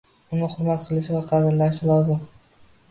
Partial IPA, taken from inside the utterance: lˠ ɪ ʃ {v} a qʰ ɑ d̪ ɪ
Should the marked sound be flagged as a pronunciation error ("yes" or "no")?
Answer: no